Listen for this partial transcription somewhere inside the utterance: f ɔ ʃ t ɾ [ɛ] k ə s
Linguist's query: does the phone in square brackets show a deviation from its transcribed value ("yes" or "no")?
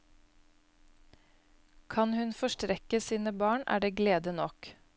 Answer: no